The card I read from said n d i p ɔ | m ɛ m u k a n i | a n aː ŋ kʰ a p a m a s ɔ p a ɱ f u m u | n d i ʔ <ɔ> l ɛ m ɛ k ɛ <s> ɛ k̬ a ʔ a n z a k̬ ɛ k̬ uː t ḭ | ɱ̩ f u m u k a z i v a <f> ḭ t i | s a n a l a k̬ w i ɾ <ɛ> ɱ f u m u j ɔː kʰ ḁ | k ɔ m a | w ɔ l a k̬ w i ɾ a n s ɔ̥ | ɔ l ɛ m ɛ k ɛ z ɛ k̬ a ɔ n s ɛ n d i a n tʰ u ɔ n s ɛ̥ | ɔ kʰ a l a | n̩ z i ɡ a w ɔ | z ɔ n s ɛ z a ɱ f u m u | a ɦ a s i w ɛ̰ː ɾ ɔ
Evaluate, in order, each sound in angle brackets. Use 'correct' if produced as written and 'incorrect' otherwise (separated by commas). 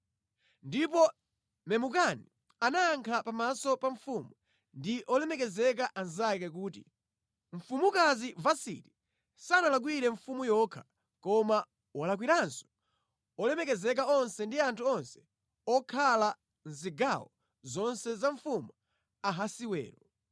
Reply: correct, incorrect, incorrect, correct